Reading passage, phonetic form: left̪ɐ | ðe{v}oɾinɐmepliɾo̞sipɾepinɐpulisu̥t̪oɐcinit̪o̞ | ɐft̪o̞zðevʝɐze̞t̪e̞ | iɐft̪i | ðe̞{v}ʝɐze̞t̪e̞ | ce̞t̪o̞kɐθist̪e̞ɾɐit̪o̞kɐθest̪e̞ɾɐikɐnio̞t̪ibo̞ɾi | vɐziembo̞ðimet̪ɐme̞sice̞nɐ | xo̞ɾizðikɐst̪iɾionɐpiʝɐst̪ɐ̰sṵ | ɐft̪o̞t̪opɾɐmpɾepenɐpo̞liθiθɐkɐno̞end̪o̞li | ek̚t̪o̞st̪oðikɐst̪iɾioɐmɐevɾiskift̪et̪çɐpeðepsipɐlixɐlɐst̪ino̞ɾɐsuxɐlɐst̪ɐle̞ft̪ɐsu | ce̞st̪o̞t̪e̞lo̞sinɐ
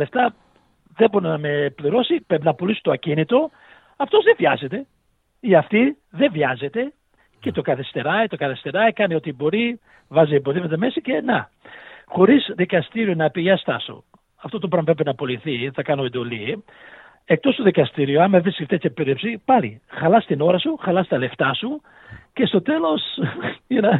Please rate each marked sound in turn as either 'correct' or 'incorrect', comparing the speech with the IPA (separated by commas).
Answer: incorrect, correct